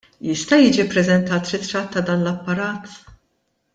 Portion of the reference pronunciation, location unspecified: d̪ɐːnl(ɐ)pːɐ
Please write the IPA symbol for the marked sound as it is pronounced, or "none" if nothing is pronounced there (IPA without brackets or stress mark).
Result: ɐ